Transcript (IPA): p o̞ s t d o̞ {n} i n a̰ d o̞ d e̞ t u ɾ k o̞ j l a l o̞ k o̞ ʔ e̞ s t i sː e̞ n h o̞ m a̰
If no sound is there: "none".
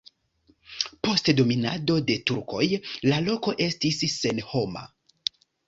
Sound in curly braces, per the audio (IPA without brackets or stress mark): m